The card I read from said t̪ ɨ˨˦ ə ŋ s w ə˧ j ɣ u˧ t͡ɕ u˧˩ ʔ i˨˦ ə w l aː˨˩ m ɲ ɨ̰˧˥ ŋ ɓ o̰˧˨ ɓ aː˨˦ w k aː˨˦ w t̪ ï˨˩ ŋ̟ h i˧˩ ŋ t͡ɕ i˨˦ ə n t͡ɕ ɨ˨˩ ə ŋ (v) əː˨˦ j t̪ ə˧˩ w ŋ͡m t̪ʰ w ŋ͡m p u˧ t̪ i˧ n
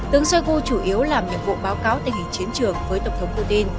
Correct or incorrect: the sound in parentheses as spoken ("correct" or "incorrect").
correct